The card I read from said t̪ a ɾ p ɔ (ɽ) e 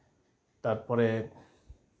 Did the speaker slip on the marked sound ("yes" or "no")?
yes